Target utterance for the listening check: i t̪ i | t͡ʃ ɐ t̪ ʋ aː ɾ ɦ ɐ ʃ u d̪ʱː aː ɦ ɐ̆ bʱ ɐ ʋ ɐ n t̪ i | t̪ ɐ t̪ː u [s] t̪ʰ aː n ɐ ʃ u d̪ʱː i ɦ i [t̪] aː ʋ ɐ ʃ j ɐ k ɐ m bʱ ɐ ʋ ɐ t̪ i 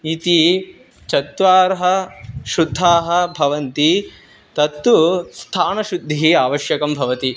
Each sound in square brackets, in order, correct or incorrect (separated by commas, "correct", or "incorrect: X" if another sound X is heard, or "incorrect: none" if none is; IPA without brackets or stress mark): correct, incorrect: none